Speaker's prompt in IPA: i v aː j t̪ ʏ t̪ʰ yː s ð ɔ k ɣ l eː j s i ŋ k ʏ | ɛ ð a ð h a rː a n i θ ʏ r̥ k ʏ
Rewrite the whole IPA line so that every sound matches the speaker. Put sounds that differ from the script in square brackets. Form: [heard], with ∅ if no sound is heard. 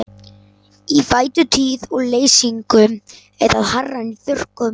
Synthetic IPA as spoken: i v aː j t̪ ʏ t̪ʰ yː [∅] ð ɔ [∅] ɣ l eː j s i ŋ k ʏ | ɛ ð a ð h a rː a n i θ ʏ r̥ k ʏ